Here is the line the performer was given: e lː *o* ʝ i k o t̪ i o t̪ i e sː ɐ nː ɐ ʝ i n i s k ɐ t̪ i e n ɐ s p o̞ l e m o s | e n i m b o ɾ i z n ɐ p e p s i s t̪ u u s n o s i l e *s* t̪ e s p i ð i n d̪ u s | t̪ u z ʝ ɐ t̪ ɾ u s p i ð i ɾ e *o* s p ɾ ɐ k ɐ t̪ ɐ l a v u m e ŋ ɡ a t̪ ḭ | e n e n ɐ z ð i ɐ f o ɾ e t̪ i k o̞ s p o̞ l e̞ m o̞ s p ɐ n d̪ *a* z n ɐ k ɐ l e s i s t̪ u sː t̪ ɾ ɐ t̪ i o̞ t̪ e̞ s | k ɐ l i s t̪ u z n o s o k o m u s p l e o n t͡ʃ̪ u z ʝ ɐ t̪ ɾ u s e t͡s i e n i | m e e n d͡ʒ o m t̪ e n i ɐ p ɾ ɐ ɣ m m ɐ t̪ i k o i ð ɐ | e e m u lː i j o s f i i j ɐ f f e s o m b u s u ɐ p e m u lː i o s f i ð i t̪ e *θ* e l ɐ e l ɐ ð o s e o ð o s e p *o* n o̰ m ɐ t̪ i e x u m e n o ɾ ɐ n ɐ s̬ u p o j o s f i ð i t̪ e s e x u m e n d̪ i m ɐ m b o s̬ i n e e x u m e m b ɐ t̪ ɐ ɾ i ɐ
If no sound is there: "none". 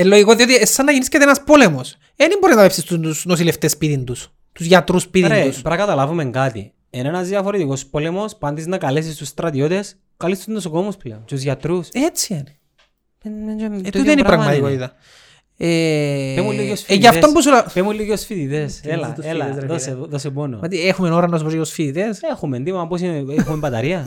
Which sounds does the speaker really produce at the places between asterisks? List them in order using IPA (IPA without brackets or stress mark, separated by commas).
o, f, u, i, s, o